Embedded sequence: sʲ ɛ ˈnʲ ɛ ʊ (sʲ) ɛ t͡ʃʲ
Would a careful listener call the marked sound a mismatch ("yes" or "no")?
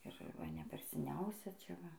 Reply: no